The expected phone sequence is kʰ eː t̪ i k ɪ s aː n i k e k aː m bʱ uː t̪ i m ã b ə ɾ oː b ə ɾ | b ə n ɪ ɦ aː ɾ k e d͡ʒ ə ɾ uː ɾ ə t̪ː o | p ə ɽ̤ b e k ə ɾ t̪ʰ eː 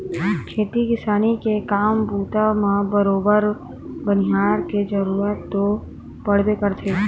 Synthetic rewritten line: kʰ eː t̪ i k ɪ s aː n i k e k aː m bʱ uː t̪ a m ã b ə ɾ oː b ə ɾ | b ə n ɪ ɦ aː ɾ k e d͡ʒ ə ɾ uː ɾ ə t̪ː o | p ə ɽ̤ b e k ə ɾ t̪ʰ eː

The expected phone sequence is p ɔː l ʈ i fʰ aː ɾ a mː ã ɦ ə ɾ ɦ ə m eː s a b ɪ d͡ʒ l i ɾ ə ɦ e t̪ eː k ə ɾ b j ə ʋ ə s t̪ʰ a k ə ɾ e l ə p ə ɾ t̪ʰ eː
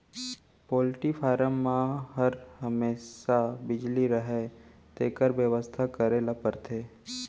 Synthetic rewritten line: p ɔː l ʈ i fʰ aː ɾ ə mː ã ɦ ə ɾ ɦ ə m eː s a b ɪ d͡ʒ l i ɾ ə ɦ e t̪ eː k ə ɾ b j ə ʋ ə s t̪ʰ a k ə ɾ e l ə p ə ɾ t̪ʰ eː

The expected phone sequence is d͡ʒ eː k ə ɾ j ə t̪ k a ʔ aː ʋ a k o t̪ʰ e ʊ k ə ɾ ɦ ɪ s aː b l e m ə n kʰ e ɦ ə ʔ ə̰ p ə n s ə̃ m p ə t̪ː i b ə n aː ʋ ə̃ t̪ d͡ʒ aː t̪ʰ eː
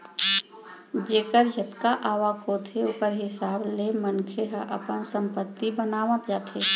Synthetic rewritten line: d͡ʒ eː k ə ɾ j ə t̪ k a ʔ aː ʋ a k o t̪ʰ e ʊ k ə ɾ ɦ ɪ s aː b l e m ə n kʰ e ɦ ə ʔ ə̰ p ə n s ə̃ m p ə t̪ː i b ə n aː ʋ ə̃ t̪ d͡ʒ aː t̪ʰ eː

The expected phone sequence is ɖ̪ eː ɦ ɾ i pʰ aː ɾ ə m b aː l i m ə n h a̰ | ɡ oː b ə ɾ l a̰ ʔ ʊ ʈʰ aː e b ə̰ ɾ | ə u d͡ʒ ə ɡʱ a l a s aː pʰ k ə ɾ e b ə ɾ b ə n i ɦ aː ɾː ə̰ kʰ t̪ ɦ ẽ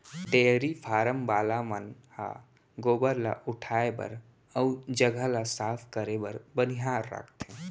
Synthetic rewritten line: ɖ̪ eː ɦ ɾ i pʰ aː ɾ ə m b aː l a m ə n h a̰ | ɡ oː b ə ɾ l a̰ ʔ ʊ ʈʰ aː e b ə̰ ɾ | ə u d͡ʒ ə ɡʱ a l a s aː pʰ k ə ɾ e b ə ɾ b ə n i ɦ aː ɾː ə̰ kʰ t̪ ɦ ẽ

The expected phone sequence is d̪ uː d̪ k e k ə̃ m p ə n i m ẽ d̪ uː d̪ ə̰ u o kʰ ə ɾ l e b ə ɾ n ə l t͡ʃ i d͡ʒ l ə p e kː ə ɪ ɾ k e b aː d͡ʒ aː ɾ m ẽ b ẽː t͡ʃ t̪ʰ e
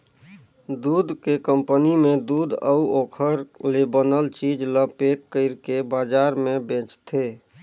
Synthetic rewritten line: d̪ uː d̪ k e k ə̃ m p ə n i m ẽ d̪ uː d̪ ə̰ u o kʰ ə ɾ l e b ə n ə l t͡ʃ i d͡ʒ l ə p e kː ə ɪ ɾ k e b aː d͡ʒ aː ɾ m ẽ b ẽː t͡ʃ t̪ʰ e

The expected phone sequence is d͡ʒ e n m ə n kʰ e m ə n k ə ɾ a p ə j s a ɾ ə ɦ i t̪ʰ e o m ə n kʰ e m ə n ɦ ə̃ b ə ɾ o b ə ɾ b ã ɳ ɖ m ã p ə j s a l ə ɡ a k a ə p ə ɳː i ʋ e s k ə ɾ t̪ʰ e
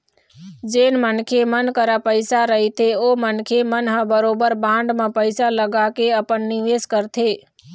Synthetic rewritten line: d͡ʒ e n m ə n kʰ e m ə n k ə ɾ a p ə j s a ɾ ə ɦ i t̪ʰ e o m ə n kʰ e m ə n ɦ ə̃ b ə ɾ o b ə ɾ b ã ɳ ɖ m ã p ə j s a l ə ɡ a k e ə p ə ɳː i ʋ e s k ə ɾ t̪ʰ e

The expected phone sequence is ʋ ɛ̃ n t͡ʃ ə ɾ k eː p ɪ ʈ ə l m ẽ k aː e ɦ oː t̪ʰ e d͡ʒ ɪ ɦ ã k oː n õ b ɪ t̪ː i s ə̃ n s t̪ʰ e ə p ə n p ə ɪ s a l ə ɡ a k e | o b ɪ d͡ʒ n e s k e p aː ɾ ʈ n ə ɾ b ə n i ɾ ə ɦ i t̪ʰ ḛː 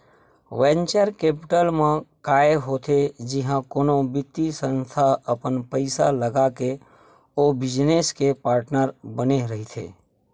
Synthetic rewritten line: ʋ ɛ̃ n t͡ʃ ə ɾ k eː p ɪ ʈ ə l m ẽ k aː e ɦ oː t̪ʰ e d͡ʒ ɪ ɦ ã k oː n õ b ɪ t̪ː i s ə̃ n s t̪ʰ a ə p ə n p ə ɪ s a l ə ɡ a k e | o b ɪ d͡ʒ n e s k e p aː ɾ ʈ n ə ɾ b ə n e ɾ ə ɦ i t̪ʰ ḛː

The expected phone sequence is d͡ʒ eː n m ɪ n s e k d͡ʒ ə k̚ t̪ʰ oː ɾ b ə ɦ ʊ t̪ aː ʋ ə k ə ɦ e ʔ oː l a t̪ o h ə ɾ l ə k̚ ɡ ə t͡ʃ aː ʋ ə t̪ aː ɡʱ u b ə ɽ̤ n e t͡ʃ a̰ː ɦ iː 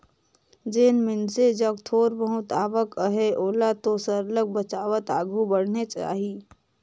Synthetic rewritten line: d͡ʒ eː n m ɪ n s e d͡ʒ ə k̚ t̪ʰ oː ɾ b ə ɦ ʊ t̪ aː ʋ ə k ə ɦ e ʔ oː l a t̪ o s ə ɾ l ə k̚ b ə t͡ʃ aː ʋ ə t̪ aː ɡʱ u b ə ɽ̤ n e t͡ʃ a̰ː ɦ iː

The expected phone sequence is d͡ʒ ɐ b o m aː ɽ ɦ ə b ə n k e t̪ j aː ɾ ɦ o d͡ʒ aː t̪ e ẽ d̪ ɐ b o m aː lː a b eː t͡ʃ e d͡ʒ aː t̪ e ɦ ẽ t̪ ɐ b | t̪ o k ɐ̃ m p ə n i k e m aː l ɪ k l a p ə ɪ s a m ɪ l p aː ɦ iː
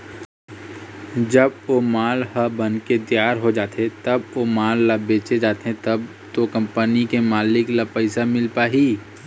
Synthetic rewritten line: d͡ʒ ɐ b o m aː l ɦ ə b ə n k e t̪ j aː ɾ ɦ o d͡ʒ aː t̪ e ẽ t̪ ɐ b o m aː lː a b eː t͡ʃ e d͡ʒ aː t̪ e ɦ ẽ t̪ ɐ b | t̪ o k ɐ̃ m p ə n i k e m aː l ɪ k l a p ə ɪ s a m ɪ l p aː ɦ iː

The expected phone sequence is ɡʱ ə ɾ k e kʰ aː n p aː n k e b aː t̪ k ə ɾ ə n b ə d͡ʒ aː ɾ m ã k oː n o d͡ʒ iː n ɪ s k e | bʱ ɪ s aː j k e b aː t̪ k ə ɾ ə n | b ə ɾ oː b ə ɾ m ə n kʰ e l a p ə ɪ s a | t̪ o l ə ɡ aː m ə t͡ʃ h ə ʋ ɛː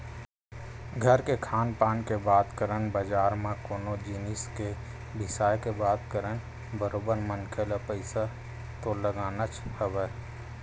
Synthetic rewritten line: ɡʱ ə ɾ k e kʰ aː n p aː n k e b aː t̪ k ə ɾ ə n b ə d͡ʒ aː ɾ m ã k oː n o d͡ʒ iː n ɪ s k e | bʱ ɪ s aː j k e b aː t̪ k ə ɾ ə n | b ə ɾ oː b ə ɾ m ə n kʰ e l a p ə ɪ s a | t̪ o l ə ɡ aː n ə t͡ʃ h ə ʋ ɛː

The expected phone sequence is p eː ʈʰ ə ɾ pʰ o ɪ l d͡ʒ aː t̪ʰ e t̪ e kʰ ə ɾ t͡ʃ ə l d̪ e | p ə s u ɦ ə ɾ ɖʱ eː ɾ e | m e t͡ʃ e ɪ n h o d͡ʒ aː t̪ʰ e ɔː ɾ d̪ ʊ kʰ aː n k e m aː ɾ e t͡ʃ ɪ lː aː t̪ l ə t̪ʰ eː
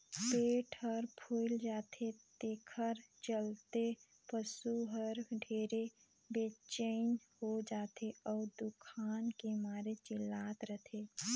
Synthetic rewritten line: p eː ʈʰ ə ɾ pʰ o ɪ l d͡ʒ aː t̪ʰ e t̪ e kʰ ə ɾ t͡ʃ ə l t̪ e | p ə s u ɦ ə ɾ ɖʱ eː ɾ e | b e t͡ʃ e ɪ n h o d͡ʒ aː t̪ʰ e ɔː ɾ d̪ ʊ kʰ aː n k e m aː ɾ e t͡ʃ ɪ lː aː t̪ ɾ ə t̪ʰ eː

